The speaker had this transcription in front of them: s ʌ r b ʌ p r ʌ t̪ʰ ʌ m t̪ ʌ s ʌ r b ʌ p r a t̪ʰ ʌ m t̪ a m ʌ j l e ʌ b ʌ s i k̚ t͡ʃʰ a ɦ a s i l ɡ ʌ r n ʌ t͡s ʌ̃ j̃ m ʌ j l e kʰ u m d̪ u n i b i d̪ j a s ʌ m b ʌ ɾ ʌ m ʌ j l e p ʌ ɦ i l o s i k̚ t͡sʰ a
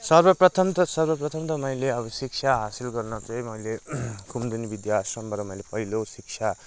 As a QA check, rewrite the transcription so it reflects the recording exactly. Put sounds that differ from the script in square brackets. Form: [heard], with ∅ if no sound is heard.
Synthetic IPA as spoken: s ʌ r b ʌ p r ʌ t̪ʰ ʌ m t̪ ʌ s ʌ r b ʌ p r [ʌ] t̪ʰ ʌ m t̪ [ʌ] m ʌ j l e ʌ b ʌ s i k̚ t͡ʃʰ a ɦ a s i l ɡ ʌ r n ʌ t͡s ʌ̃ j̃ m ʌ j l e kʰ u m d̪ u n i b i d̪ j a s ʌ m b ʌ ɾ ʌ m ʌ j l e p ʌ ɦ i l o s i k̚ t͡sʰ a

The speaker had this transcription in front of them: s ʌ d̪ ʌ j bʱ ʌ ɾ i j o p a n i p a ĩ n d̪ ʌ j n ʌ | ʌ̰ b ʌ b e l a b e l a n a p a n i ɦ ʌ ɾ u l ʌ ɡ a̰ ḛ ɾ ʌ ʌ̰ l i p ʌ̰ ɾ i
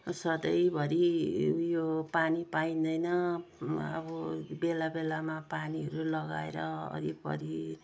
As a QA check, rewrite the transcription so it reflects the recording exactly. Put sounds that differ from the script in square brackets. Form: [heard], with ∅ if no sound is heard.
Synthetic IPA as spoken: s ʌ d̪ ʌ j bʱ ʌ ɾ i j o p a n i p a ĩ n d̪ ʌ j n ʌ | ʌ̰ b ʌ b e l a b e l a [m] a p a n i ɦ ʌ ɾ u l ʌ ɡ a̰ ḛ ɾ ʌ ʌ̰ [ɾ] i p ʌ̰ ɾ i

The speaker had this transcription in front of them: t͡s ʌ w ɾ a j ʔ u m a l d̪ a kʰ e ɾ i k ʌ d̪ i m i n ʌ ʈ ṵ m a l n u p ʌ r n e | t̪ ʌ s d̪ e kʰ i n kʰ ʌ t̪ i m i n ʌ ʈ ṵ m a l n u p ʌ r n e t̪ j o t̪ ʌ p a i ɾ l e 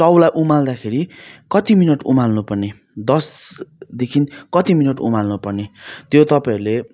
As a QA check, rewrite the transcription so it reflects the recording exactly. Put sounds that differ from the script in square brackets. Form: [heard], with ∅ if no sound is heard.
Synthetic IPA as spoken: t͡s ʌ w [l] a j ʔ u m a l d̪ a kʰ e ɾ i k ʌ [t̪] i m i n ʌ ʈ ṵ m a l n u p ʌ r n e | [d̪] ʌ s d̪ e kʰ i n [k] ʌ t̪ i m i n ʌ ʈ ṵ m a l n u p ʌ r n e t̪ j o t̪ ʌ p a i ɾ l e

